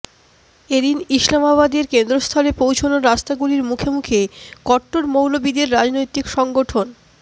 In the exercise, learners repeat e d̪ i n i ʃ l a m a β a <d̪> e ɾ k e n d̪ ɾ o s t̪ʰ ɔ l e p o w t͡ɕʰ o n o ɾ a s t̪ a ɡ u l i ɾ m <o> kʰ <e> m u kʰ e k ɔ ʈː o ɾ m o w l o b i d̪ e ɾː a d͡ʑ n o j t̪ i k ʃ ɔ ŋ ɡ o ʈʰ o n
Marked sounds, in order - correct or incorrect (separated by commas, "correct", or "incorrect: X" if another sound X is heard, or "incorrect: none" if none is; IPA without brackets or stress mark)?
correct, incorrect: u, correct